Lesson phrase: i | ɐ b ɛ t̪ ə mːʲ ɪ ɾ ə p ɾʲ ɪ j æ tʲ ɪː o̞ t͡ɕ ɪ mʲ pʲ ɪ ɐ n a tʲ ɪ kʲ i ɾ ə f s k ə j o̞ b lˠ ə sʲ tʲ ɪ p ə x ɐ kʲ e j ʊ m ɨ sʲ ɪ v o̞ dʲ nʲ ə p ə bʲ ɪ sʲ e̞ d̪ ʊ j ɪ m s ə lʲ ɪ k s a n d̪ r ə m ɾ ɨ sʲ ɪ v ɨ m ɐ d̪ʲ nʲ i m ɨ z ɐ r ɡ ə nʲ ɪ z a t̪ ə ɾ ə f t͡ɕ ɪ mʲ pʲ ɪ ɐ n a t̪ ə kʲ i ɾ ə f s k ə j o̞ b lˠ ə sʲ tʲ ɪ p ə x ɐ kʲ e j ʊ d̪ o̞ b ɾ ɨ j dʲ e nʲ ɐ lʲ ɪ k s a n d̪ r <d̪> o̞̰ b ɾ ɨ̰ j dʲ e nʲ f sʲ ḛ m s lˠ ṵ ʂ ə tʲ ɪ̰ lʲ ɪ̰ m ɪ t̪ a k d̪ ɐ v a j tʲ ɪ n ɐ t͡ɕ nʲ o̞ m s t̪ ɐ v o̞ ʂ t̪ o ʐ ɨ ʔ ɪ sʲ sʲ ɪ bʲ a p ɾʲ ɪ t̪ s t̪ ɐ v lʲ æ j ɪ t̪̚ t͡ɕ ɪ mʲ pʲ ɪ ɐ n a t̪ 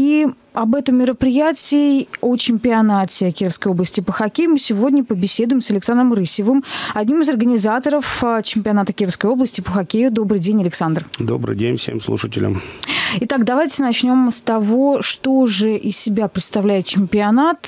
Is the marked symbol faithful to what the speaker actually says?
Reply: yes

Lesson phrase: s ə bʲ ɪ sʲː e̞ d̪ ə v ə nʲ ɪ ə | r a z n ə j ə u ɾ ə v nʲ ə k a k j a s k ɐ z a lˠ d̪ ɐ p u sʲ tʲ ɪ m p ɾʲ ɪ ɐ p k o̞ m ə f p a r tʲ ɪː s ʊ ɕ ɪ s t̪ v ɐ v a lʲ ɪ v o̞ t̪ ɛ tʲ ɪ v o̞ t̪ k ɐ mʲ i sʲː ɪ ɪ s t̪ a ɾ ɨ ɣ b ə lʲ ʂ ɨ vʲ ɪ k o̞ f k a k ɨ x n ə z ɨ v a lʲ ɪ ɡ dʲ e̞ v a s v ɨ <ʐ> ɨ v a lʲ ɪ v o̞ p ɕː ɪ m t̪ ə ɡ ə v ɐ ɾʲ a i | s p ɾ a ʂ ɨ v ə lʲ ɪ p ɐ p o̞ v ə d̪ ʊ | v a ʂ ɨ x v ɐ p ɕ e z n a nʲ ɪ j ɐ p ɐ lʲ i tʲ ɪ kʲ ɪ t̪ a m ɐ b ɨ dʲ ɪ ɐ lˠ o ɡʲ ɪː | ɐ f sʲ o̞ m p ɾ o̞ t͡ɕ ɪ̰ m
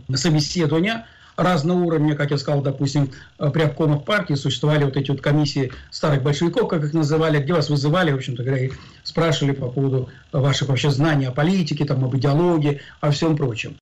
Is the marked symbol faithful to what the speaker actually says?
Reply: no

